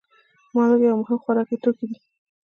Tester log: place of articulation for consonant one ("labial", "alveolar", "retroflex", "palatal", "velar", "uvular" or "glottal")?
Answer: labial